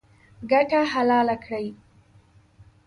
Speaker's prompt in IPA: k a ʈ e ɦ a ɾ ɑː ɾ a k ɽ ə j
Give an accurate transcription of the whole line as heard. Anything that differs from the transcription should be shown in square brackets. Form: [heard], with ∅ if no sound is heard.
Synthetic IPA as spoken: [ɡ] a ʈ [a] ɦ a [l] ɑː [l] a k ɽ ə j